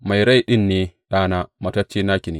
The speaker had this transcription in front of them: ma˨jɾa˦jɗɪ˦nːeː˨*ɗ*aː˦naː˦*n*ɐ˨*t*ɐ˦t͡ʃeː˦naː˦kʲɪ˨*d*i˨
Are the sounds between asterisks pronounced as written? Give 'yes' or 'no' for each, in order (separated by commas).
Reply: yes, no, yes, no